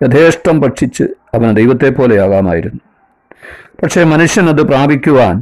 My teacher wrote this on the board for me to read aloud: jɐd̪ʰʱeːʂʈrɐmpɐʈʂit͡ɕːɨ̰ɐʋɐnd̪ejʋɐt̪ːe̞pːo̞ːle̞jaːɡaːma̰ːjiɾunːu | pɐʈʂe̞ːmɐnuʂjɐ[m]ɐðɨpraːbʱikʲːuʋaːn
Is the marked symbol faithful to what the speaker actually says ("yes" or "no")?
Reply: no